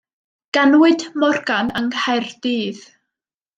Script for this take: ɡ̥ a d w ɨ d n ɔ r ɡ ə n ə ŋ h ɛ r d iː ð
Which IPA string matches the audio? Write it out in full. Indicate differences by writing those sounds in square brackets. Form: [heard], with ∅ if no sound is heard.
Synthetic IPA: ɡ̥ a [n] w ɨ d [m] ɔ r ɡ [a] n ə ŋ h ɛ r d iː ð